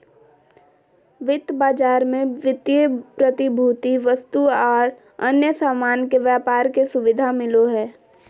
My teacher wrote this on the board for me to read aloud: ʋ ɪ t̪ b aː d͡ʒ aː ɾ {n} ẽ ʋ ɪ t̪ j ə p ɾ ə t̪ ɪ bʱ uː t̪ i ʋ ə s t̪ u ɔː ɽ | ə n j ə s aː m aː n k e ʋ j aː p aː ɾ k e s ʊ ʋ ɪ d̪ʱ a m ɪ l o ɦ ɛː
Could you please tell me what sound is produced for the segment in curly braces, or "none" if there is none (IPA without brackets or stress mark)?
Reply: m